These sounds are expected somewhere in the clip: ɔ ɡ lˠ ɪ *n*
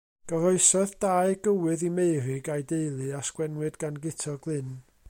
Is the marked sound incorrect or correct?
correct